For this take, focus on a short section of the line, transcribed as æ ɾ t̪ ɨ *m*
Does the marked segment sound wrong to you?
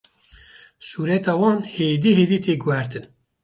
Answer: yes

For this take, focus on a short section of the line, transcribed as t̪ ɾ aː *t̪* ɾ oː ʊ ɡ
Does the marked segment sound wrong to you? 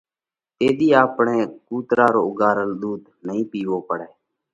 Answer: yes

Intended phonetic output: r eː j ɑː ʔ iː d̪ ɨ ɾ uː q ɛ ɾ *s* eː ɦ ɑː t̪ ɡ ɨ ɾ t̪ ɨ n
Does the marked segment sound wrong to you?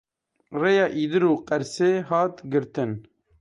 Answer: no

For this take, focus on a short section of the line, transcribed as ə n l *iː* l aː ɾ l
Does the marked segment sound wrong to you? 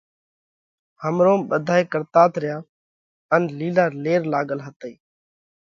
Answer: no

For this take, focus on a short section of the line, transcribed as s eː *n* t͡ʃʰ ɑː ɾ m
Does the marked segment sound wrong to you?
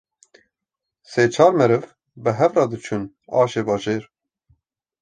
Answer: yes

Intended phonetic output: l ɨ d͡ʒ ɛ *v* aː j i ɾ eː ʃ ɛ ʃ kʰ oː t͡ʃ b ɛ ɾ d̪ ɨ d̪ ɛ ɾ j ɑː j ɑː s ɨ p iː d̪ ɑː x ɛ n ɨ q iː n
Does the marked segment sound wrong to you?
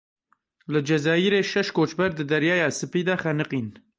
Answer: yes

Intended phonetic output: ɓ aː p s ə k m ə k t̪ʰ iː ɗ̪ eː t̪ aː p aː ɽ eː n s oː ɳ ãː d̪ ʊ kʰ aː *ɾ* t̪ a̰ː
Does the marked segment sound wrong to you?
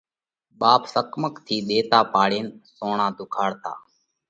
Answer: yes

